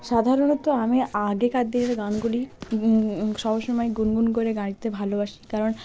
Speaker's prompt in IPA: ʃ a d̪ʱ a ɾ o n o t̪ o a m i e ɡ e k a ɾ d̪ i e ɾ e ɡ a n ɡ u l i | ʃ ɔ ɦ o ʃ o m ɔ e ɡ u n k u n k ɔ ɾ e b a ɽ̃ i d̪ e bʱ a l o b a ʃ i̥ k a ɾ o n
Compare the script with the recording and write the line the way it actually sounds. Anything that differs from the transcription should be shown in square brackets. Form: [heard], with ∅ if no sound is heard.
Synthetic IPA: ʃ a d̪ʱ a ɾ o n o t̪ o a m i [a] ɡ e k a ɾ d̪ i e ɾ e ɡ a n ɡ u l i | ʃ ɔ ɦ o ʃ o m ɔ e ɡ u n [ɡ] u n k [o] ɾ e [ɡ] a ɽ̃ i [t̪] e bʱ a l o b a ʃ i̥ k a ɾ o n